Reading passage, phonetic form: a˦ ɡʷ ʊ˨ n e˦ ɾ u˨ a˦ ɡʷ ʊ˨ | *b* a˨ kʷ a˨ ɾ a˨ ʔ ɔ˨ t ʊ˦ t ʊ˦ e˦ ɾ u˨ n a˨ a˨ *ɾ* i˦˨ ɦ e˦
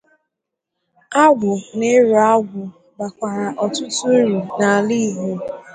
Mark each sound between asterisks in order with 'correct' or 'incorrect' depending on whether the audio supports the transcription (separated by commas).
correct, incorrect